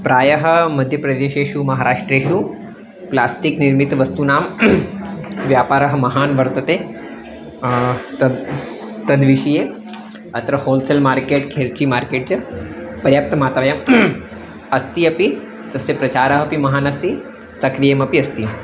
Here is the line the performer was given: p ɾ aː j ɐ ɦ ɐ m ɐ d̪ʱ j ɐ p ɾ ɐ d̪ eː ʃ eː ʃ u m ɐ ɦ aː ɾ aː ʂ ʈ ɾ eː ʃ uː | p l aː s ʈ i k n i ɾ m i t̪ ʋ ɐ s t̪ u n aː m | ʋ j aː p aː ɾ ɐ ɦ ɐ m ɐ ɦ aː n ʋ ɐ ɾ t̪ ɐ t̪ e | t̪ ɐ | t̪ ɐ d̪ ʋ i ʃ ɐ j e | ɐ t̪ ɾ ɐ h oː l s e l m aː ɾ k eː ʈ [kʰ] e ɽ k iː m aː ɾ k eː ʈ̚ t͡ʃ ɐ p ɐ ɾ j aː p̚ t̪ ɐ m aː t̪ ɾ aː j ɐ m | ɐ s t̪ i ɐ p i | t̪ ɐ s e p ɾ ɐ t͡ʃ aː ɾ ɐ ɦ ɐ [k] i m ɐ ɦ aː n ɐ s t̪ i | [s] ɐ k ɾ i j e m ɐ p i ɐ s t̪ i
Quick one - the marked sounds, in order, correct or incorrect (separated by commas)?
correct, incorrect, correct